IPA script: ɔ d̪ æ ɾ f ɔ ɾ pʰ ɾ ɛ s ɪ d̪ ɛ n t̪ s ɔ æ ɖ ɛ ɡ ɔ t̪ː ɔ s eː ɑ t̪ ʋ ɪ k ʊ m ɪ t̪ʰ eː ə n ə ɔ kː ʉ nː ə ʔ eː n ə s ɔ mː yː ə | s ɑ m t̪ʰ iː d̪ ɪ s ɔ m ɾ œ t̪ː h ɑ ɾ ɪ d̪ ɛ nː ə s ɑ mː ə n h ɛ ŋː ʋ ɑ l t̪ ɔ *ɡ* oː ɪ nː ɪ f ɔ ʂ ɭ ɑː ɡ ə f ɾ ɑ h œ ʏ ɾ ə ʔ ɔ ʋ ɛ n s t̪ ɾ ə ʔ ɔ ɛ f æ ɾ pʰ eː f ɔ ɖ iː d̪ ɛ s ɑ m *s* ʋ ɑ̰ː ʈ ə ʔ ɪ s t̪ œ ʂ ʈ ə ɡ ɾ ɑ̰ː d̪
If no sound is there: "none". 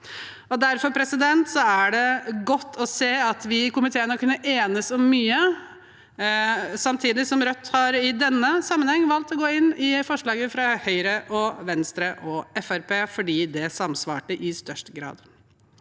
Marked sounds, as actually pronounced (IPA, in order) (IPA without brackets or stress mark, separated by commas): ɡ, s